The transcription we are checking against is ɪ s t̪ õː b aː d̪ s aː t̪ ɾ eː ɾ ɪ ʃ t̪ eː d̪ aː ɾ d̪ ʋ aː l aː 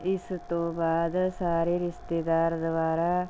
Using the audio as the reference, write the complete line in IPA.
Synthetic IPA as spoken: ɪ s t̪ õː b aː d̪ s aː ɾ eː ɾ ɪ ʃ t̪ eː d̪ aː ɾ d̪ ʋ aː ɾ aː